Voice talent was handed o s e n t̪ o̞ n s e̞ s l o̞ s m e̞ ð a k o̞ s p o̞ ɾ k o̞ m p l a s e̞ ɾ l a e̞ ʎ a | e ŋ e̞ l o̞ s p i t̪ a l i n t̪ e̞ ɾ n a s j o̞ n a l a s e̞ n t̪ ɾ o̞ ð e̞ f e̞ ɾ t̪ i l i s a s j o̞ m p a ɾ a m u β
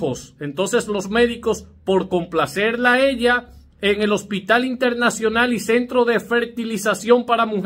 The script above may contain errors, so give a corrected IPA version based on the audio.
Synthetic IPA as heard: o s e n t̪ o̞ n s e̞ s l o̞ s m e̞ ð i k o̞ s p o̞ ɾ k o̞ m p l a s e̞ ɾ l a e̞ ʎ a | e ŋ e̞ l o̞ s p i t̪ a l i n t̪ e̞ ɾ n a s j o̞ n a l i s e̞ n t̪ ɾ o̞ ð e̞ f e̞ ɾ t̪ i l i s a s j o̞ m p a ɾ a m u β